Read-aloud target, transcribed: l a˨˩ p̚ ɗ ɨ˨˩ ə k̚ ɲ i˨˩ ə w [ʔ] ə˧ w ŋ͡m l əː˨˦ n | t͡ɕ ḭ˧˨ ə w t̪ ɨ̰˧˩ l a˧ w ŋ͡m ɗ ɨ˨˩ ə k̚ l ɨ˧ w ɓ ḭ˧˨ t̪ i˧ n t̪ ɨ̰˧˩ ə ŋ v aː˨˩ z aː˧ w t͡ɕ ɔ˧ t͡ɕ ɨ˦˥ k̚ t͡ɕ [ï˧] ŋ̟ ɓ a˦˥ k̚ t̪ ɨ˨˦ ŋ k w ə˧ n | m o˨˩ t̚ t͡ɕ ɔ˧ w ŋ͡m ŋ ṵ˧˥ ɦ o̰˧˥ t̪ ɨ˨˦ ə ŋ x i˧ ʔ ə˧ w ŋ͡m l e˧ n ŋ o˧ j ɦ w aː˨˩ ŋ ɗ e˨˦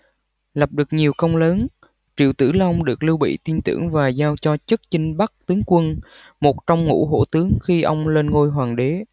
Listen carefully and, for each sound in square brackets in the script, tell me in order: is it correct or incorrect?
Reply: incorrect, correct

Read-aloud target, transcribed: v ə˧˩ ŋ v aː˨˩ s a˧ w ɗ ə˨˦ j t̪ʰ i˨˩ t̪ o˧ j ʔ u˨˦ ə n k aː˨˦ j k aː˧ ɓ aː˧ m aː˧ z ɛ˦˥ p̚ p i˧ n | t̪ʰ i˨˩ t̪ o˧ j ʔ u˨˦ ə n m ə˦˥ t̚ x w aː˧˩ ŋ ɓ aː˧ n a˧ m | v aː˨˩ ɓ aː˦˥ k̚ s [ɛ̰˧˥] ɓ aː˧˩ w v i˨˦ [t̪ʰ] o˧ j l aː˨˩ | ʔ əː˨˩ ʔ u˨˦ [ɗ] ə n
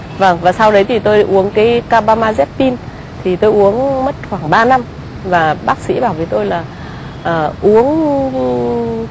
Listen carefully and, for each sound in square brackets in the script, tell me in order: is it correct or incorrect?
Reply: incorrect, incorrect, incorrect

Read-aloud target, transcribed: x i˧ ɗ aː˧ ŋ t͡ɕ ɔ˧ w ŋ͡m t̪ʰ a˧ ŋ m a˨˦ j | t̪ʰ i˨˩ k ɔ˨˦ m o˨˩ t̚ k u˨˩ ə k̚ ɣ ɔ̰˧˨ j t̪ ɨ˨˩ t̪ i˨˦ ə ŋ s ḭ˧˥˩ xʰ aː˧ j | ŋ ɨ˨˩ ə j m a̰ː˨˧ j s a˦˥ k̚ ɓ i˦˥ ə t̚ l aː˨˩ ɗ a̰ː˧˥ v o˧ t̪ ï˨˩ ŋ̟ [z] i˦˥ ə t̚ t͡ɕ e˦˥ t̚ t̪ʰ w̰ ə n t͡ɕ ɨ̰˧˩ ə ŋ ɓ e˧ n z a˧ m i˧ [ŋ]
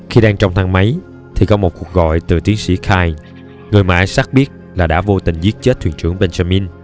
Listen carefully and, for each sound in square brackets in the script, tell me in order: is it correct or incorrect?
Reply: correct, incorrect

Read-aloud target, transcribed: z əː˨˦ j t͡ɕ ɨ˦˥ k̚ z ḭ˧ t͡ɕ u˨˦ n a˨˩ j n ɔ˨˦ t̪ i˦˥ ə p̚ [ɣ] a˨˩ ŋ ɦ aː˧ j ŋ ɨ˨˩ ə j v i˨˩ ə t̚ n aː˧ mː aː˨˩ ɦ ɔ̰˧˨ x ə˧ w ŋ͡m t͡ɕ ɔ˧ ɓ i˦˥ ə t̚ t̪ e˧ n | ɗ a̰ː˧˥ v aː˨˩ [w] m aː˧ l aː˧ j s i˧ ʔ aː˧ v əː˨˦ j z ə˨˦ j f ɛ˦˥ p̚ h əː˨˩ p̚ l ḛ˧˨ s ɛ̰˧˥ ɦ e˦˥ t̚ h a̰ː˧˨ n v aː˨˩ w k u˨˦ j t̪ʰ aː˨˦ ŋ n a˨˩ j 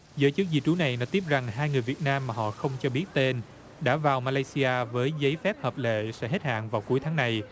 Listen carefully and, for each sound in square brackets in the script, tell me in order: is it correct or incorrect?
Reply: incorrect, correct

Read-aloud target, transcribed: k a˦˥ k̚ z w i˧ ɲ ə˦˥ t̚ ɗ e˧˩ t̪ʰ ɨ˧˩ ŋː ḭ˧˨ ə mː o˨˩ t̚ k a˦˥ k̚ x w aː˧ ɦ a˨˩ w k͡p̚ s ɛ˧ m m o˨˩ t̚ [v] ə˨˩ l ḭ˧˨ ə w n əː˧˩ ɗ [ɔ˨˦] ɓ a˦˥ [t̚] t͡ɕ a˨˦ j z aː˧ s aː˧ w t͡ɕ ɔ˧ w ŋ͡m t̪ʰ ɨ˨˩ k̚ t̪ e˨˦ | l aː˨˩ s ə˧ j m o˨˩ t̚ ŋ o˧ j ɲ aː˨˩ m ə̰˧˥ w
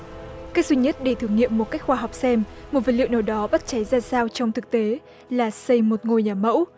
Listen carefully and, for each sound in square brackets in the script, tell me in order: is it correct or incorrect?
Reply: correct, correct, correct

